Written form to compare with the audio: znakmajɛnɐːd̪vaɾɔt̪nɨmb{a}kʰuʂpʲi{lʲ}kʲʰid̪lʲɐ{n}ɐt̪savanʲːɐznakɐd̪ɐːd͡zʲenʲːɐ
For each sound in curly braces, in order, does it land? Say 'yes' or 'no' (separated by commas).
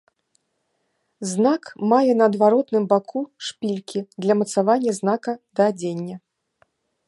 yes, yes, no